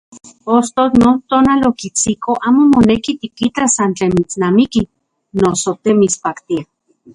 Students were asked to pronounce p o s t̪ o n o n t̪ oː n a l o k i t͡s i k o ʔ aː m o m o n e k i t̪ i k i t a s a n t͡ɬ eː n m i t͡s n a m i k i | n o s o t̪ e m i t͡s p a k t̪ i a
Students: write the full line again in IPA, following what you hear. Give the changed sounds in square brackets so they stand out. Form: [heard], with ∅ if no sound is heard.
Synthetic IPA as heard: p o s t̪ o n o n t̪ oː n a l o k i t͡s i k o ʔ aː m o m o n e k i t̪ i k i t a s a n t͡ɬ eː n m i t͡s n a m i k i | n o s o t̪ e m i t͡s p a k t̪ i a